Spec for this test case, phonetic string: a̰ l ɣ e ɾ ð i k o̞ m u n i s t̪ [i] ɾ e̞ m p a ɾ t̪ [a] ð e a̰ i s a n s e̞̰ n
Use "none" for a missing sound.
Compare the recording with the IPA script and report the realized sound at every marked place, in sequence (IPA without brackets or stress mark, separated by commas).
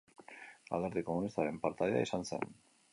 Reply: a, a